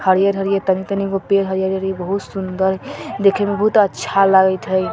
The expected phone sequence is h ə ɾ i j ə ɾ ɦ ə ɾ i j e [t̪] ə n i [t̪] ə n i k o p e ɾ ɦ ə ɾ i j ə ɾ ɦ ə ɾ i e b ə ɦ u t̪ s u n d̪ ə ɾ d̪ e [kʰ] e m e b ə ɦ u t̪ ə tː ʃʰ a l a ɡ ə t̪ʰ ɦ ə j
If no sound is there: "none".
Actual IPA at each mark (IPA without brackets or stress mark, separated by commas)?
t̪, t̪, kʰ